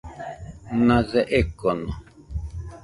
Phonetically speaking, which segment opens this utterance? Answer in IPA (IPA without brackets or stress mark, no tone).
n